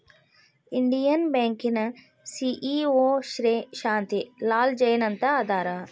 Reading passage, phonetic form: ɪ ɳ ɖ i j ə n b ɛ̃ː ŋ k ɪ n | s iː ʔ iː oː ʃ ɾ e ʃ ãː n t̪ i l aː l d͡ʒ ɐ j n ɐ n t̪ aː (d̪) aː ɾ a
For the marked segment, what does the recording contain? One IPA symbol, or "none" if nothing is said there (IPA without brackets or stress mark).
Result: d̪